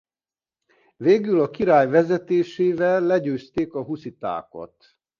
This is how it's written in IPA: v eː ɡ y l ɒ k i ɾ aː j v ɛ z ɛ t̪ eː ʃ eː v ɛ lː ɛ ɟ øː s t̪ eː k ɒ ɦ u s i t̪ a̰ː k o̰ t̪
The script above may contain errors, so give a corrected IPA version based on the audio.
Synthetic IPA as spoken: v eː ɡ y l ɒ k i ɾ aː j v ɛ z ɛ t̪ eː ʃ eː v ɛ lː ɛ ɟ øː s t̪ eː k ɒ ɦ u s i t̪ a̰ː k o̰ t̪